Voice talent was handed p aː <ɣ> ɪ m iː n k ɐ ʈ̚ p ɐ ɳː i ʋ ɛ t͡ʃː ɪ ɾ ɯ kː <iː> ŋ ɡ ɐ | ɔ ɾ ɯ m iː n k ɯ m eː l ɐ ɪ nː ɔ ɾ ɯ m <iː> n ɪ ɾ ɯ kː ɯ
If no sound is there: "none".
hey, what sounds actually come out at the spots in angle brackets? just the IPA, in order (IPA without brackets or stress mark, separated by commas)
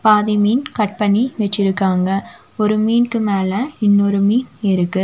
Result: ð, aː, iː